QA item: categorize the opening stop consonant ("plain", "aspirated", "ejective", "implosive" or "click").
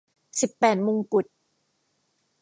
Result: plain